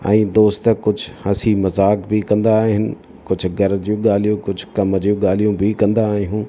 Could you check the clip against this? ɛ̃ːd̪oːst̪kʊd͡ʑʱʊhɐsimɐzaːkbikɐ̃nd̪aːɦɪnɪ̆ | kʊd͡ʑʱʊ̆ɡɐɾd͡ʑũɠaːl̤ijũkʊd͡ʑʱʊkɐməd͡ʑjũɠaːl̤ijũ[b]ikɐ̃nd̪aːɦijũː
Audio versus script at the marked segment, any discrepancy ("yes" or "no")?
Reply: no